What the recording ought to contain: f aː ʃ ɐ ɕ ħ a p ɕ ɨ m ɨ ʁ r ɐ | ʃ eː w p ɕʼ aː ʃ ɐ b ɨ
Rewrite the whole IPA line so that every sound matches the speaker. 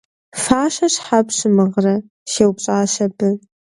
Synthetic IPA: f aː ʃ ɐ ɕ ħ a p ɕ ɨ m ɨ ʁ r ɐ | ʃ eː w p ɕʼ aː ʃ ɐ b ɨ